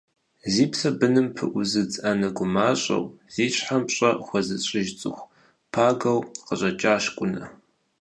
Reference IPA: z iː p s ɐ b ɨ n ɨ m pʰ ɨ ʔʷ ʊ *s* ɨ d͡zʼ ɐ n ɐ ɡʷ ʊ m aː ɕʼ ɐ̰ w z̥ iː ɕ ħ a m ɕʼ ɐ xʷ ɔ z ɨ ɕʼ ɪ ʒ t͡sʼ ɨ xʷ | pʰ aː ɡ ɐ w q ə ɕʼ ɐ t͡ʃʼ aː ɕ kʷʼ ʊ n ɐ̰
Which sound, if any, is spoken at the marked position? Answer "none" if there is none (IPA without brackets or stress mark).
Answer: z